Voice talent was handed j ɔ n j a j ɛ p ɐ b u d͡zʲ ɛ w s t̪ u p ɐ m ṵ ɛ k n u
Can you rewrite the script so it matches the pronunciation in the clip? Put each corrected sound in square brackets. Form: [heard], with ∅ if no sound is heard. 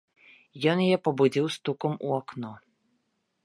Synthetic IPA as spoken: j ɔ n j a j ɛ p ɐ b u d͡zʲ [i] w s t̪ u [k] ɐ m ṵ [a] k n [ɔ]